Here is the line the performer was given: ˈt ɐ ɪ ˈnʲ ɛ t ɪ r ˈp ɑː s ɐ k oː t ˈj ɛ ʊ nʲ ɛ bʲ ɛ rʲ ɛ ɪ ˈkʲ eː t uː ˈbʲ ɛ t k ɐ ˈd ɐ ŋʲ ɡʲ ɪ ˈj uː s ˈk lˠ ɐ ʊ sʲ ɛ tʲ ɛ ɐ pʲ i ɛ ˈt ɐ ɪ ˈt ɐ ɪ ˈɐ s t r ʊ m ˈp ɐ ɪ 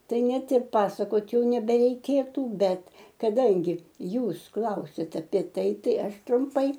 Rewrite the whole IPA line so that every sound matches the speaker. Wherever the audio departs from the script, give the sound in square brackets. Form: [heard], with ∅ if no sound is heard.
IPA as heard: ˈt ɐ ɪ ˈnʲ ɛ t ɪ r ˈp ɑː s ɐ k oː t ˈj ɛ ʊ nʲ ɛ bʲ ɛ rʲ ɛ ɪ ˈkʲ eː t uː ˈbʲ ɛ t k ɐ ˈd ɐ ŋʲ ɡʲ ɪ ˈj uː s ˈk lˠ ɐ ʊ sʲ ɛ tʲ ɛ ɐ pʲ i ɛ ˈt ɐ ɪ ˈt ɐ ɪ ˈɐ [ʃ] t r ʊ m ˈp ɐ ɪ